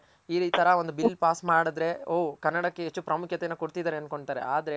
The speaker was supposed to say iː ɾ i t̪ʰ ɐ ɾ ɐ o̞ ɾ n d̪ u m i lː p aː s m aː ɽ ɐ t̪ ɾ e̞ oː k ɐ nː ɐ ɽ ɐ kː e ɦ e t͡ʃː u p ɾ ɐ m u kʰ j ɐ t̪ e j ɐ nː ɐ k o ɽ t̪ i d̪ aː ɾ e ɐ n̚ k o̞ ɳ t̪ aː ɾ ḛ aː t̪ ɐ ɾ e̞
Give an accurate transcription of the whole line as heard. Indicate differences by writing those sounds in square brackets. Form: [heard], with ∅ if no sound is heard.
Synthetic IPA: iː ɾ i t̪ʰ ɐ ɾ ɐ o̞ [∅] n d̪ u [b] i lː p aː s m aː ɽ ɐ [d̪] ɾ e̞ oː k ɐ nː ɐ ɽ ɐ kː e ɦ e t͡ʃː u p ɾ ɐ m u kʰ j ɐ t̪ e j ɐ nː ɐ k o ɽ t̪ i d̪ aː ɾ e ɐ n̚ k o̞ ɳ t̪ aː ɾ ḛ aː [d̪] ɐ ɾ e̞